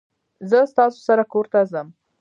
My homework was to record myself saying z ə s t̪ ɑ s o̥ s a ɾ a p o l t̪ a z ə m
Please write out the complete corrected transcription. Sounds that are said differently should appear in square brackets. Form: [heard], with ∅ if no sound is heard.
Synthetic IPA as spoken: z ə s t̪ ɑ s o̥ s a ɾ a [k] o [ɾ] t̪ a z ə m